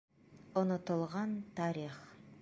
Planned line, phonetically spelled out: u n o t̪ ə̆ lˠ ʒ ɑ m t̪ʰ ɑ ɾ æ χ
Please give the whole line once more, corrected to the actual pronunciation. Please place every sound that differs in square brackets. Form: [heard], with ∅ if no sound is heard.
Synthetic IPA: [o] n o t̪ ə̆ lˠ [ʁ] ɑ [n] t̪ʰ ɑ ɾ [i] χ